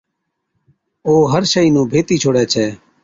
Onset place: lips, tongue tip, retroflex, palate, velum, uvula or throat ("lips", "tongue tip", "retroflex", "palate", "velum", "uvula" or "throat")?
throat